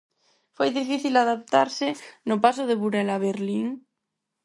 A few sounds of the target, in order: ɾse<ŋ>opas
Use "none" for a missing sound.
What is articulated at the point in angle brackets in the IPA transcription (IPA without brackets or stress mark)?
n